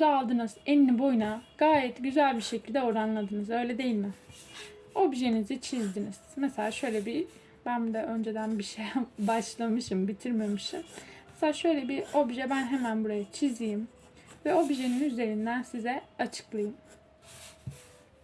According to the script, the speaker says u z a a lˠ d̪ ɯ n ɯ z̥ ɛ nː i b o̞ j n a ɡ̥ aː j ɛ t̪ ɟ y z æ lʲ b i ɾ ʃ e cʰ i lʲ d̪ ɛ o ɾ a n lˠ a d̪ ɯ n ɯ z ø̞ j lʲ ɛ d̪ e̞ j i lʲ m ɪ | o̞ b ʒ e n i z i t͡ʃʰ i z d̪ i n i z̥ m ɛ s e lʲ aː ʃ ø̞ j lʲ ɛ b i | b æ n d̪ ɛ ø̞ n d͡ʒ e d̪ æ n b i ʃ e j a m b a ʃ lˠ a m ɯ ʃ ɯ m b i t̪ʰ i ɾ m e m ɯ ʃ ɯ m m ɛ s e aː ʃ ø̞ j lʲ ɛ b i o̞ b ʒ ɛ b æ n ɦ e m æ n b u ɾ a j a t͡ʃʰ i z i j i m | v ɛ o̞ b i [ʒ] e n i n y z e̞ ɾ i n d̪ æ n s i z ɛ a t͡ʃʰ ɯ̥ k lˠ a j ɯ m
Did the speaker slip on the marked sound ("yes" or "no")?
no